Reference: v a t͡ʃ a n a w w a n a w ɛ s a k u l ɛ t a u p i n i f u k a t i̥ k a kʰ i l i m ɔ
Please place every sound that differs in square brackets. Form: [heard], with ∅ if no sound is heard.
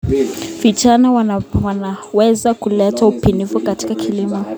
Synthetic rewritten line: v [i] t͡ʃ a n a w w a n a w ɛ [z] a k u l ɛ t a u p i n i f u k a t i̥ k a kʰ i l i m ɔ